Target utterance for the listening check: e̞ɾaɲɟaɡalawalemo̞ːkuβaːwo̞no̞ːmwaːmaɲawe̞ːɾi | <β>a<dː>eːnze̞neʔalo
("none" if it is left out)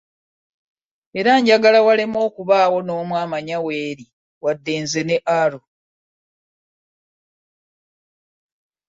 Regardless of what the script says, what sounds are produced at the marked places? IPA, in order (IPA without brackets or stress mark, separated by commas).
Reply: w, dː